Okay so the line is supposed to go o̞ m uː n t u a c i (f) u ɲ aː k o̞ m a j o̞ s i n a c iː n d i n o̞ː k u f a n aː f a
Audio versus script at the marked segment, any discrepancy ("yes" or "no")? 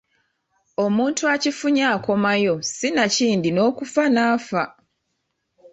no